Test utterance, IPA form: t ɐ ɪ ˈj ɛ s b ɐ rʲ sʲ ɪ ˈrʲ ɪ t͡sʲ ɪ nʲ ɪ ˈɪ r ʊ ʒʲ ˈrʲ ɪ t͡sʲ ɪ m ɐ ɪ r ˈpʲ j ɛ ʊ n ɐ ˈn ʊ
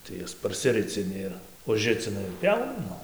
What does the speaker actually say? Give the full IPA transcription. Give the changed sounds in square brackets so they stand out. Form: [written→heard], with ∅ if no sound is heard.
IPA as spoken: t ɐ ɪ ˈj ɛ s [b→p] ɐ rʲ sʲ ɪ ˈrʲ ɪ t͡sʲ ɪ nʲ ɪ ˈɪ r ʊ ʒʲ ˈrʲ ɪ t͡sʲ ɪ [m→n] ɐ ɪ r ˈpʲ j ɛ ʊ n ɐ ˈn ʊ